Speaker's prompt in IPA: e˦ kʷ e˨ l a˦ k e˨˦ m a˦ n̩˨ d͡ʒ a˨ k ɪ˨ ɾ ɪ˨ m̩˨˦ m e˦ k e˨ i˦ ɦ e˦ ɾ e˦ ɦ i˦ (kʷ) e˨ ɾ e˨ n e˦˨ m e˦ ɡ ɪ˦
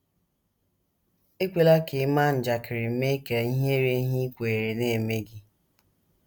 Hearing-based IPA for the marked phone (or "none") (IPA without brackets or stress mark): kʷ